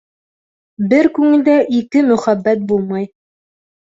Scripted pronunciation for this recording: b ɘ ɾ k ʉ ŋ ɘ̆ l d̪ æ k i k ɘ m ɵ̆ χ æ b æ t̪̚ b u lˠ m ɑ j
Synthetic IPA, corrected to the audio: b ɘ ɾ k ʉ ŋ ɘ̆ l d̪ æ ʔ i k ɘ m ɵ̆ χ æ bː æ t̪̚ b u lˠ m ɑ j